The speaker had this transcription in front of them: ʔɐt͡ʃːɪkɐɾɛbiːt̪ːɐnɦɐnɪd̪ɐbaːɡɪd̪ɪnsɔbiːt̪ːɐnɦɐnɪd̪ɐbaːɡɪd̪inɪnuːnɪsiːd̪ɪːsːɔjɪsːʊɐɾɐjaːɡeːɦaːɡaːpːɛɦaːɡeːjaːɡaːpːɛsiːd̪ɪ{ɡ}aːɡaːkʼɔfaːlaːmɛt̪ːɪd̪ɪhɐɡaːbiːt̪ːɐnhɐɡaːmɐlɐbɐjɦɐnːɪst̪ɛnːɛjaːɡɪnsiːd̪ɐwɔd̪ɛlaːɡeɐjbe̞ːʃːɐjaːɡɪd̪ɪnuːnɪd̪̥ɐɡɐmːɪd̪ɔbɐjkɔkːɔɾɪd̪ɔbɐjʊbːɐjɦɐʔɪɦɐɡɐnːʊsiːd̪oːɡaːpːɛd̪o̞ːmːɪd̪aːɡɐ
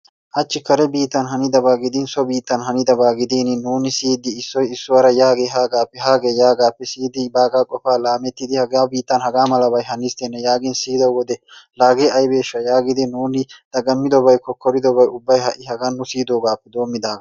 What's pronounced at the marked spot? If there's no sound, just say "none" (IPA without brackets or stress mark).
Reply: b